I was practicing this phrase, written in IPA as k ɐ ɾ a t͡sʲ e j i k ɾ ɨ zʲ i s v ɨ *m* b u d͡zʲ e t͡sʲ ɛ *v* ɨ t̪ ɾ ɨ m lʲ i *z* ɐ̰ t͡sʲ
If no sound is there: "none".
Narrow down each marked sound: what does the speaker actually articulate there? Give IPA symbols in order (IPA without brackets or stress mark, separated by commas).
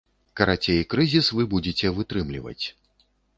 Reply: none, v, v